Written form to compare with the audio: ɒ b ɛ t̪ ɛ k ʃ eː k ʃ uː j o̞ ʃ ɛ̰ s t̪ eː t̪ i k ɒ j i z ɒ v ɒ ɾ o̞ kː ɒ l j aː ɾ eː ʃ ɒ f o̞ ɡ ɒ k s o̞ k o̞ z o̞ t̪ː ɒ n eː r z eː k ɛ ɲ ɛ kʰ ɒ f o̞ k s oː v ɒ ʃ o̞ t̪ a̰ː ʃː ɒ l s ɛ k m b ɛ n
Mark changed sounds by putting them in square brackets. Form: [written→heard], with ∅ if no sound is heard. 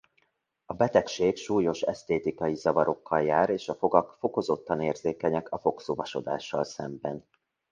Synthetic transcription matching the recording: ɒ b ɛ t̪ ɛ k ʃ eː k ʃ uː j o̞ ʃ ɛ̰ s t̪ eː t̪ i k ɒ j i z ɒ v ɒ ɾ o̞ kː ɒ l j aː ɾ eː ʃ ɒ f o̞ ɡ ɒ k [s→f] o̞ k o̞ z o̞ t̪ː ɒ n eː r z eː k ɛ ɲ ɛ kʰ ɒ f o̞ k s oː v ɒ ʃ o̞ [t̪→d̪] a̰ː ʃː ɒ l s ɛ [k→∅] m b ɛ n